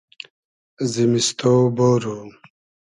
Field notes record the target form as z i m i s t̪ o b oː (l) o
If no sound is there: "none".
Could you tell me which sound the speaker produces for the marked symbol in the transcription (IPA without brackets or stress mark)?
ɾ